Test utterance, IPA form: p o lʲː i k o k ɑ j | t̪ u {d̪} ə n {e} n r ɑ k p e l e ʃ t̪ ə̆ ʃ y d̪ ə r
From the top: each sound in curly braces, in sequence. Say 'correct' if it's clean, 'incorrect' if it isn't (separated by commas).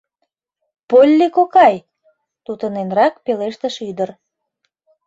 incorrect, correct